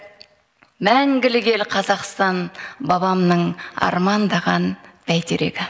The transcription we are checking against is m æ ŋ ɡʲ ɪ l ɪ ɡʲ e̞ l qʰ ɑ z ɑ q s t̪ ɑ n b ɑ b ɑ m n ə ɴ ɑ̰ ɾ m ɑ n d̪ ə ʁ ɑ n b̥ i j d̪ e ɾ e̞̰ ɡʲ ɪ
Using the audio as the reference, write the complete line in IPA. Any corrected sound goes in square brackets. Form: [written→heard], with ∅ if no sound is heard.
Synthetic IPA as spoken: m æ ŋ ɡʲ ɪ l ɪ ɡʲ e̞ l qʰ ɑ z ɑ q s t̪ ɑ n b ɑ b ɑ m n ə ɴ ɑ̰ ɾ m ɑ n d̪ [ə→ɑ] ʁ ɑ n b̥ [i→æ] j [d̪→t̪] e ɾ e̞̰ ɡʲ ɪ

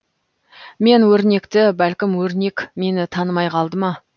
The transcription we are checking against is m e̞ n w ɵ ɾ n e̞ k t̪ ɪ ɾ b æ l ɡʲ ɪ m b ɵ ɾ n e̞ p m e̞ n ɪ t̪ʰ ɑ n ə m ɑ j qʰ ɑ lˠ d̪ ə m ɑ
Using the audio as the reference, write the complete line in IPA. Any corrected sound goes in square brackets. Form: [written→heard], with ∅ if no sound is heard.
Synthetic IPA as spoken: m e̞ n w ɵ ɾ n e̞ k t̪ ɪ [ɾ→∅] b æ l [ɡʲ→kʲ] ɪ m [b→w] ɵ ɾ n e̞ [p→k] m e̞ n ɪ t̪ʰ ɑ n ə m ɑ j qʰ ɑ lˠ d̪ ə m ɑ

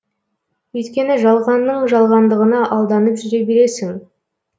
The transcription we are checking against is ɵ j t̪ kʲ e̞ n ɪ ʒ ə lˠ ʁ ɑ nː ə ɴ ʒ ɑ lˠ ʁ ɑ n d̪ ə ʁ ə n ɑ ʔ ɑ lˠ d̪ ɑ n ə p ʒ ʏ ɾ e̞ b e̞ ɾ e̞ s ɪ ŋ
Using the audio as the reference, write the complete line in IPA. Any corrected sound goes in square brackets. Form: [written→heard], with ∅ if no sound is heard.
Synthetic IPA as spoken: ɵ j t̪ kʲ e̞ n ɪ ʒ [ə→ɑ] lˠ ʁ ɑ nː ə ɴ ʒ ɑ lˠ ʁ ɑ n d̪ ə ʁ ə n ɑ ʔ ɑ lˠ d̪ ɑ n ə p ʒ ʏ ɾ e̞ b e̞ ɾ e̞ s ɪ ŋ

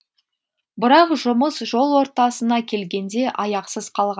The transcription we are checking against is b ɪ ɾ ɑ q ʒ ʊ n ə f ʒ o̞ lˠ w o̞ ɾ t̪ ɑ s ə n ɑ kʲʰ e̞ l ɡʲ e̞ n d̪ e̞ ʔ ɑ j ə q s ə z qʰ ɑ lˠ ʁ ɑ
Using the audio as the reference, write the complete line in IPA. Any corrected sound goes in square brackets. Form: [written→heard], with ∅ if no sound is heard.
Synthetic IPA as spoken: b ɪ ɾ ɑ q ʒ ʊ [n→m] ə [f→s] ʒ o̞ lˠ w o̞ ɾ t̪ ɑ s ə n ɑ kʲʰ e̞ l ɡʲ e̞ n d̪ e̞ ʔ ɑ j [ə→ɑ] q s ə z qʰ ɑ lˠ ʁ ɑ

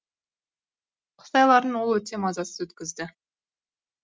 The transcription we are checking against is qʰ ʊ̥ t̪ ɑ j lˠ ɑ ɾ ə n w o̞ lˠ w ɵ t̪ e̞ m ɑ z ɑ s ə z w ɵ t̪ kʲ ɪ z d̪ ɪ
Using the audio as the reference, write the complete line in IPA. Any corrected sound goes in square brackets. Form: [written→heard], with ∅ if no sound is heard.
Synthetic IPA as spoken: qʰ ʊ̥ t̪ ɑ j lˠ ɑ ɾ ə n w o̞ lˠ w ɵ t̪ e̞ m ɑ z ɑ s ə z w ɵ t̪ kʲ ɪ z d̪ ɪ

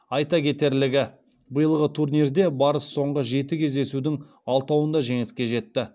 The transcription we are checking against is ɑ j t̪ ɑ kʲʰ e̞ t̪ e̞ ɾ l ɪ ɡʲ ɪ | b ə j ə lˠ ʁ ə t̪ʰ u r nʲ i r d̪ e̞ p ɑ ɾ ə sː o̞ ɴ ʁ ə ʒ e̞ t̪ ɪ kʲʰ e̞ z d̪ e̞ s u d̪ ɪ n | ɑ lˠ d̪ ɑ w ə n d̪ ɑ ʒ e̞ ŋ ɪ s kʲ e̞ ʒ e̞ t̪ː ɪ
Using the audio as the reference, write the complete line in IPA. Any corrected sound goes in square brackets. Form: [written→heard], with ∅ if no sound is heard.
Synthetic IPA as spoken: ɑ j t̪ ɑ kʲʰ e̞ t̪ e̞ ɾ l ɪ ɡʲ ɪ | b ə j ə lˠ ʁ ə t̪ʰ u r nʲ i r d̪ e̞ [p→b] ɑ ɾ ə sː o̞ ɴ ʁ ə ʒ e̞ t̪ ɪ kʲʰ e̞ z d̪ e̞ s u d̪ ɪ [n→ŋ] | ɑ lˠ [d̪→t̪] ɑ w ə n d̪ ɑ ʒ e̞ ŋ ɪ s kʲ e̞ ʒ e̞ t̪ː ɪ

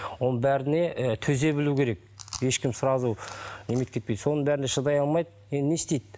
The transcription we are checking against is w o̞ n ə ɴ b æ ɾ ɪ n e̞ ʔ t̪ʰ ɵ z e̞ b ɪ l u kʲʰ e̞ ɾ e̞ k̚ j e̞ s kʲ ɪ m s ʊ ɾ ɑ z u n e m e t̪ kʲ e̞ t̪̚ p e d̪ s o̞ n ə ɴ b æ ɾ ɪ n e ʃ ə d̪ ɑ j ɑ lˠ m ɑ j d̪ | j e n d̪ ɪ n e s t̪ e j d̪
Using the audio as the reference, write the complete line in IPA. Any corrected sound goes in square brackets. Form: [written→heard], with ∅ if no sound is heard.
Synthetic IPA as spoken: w o̞ n ə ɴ b æ ɾ ɪ n e̞ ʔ t̪ʰ ɵ z e̞ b ɪ l u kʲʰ e̞ ɾ e̞ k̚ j e̞ [s→ʃ] kʲ ɪ m s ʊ ɾ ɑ z u n e m e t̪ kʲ e̞ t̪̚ p e d̪ s o̞ n ə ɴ b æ ɾ ɪ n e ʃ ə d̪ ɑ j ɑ lˠ m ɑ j d̪ | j e n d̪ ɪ n e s t̪ e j d̪

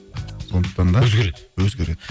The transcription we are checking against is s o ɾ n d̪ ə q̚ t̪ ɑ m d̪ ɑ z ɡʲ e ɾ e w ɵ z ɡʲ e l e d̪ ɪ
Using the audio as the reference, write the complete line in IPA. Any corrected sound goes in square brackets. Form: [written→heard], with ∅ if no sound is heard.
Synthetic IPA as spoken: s o [ɾ→∅] n d̪ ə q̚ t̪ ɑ [m→n] d̪ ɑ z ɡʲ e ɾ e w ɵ z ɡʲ e [l→ɾ] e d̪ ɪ

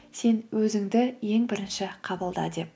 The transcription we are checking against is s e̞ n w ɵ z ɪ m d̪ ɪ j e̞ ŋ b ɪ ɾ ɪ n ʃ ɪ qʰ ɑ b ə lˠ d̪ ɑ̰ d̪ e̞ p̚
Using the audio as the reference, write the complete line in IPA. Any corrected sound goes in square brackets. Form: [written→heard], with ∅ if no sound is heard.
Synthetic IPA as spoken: s e̞ n w ɵ z ɪ [m→ŋ] d̪ ɪ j e̞ ŋ b ɪ ɾ ɪ n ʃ ɪ qʰ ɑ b ə lˠ d̪ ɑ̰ d̪ e̞ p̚

